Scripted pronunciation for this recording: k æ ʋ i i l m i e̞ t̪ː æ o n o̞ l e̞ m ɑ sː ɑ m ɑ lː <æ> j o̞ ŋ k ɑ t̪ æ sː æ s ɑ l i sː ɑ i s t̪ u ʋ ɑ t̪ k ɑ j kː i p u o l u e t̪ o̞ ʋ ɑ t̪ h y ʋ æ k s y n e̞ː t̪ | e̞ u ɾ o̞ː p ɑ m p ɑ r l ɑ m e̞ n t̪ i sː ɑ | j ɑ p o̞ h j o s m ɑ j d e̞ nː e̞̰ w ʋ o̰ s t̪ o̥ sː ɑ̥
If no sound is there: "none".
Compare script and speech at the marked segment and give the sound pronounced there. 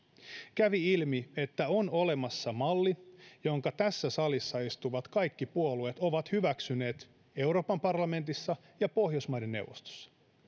i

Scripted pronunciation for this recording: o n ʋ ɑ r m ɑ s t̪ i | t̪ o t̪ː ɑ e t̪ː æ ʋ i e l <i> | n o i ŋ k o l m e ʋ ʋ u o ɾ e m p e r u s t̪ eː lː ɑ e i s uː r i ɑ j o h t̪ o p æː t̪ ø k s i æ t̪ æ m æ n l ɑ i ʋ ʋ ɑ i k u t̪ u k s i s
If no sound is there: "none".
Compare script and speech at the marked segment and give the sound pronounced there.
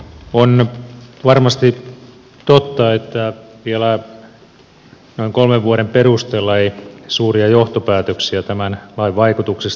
æ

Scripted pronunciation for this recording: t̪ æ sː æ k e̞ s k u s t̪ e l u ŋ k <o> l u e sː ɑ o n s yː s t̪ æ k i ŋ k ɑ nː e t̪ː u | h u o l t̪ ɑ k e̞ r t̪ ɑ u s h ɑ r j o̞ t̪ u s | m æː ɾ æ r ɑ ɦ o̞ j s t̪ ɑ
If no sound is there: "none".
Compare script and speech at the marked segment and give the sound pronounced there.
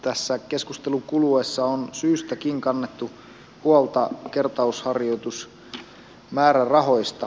u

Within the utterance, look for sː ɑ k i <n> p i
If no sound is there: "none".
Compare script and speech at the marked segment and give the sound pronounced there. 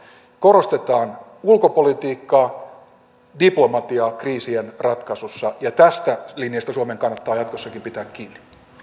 m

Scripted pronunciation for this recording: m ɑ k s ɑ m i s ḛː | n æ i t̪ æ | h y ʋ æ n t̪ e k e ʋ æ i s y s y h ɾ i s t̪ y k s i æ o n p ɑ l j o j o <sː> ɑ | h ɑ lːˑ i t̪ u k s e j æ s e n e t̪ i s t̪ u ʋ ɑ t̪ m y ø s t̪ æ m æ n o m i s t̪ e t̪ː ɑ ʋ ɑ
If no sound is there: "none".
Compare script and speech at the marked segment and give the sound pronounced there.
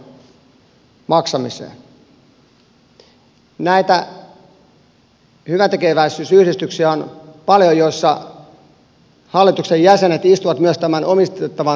sː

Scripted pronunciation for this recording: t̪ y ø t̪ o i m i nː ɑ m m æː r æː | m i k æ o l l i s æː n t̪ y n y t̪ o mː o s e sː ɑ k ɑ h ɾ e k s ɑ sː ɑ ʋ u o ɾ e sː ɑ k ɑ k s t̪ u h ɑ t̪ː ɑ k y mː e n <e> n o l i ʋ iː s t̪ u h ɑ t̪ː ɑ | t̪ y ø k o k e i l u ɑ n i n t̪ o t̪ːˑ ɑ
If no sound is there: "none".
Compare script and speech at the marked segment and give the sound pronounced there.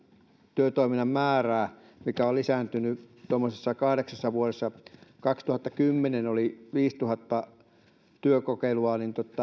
e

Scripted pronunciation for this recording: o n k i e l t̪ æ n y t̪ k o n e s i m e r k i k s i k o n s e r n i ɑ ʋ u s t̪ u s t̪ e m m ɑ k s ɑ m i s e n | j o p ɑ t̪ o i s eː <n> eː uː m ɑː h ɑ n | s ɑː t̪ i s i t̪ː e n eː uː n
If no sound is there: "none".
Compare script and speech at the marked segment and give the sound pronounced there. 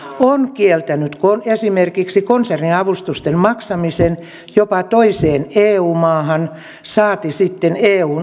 n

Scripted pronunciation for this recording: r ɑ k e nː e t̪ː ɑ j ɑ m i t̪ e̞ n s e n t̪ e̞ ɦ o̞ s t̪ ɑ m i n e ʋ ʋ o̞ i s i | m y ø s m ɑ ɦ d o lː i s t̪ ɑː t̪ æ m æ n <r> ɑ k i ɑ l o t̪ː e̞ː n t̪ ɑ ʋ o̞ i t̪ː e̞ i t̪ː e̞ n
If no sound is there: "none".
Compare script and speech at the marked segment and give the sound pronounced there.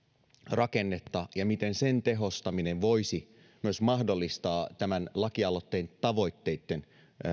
l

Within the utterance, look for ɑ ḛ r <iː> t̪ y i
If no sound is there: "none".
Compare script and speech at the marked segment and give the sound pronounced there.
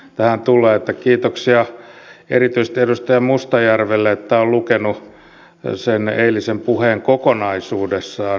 i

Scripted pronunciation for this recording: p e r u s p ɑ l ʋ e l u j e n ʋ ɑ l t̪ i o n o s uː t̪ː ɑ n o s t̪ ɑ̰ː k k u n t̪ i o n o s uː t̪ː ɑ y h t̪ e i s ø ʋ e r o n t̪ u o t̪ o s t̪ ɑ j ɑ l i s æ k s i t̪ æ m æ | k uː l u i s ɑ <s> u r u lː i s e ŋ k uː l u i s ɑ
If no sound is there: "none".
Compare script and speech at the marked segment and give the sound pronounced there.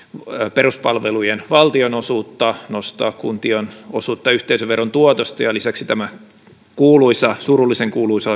s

